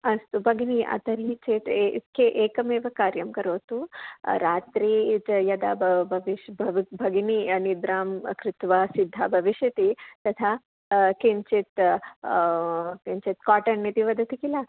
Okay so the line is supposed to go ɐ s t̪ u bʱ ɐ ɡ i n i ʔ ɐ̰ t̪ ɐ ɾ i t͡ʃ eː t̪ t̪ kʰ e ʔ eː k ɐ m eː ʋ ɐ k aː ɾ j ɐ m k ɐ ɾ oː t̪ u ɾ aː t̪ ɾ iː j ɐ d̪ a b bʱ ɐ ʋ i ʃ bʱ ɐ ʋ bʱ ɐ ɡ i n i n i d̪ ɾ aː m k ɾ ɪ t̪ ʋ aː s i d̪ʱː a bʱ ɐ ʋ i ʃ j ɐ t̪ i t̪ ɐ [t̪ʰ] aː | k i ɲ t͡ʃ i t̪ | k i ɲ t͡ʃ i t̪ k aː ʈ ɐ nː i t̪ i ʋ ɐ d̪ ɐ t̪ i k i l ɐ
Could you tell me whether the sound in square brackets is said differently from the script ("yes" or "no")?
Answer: no